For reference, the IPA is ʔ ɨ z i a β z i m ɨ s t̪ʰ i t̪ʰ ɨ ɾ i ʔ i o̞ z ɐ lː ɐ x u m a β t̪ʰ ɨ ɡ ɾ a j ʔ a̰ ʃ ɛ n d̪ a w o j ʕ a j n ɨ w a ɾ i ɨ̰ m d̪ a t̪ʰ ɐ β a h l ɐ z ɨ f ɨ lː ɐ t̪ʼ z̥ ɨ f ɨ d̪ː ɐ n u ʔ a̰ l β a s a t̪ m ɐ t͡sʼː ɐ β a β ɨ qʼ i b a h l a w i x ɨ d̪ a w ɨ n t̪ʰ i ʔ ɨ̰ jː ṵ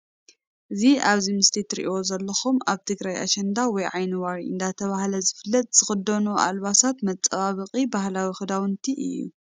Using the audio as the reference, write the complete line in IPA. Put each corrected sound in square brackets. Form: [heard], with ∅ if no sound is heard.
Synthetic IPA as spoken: ʔ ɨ z i a β z i m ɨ s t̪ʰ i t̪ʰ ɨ ɾ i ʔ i o̞ z ɐ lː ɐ x u m a β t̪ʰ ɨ ɡ ɾ a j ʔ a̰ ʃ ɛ n d̪ a w [ɔ] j ʕ a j n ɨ w a ɾ i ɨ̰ [n] d̪ a t̪ʰ ɐ β a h l ɐ z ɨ f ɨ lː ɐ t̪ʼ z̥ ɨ [x] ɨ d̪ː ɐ n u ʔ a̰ l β a s a t̪ m ɐ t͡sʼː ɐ β a β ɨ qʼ i b a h l a w i x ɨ d̪ a w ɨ n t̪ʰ i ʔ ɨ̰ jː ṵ